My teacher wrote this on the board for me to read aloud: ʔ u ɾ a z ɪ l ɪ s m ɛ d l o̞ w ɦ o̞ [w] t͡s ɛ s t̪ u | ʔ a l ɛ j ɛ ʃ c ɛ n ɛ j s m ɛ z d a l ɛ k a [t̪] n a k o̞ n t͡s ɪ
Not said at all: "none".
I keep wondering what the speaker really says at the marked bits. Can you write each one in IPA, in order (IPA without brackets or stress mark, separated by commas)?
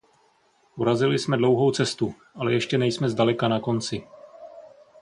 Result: w, none